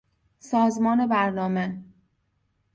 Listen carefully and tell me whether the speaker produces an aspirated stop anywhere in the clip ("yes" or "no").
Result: no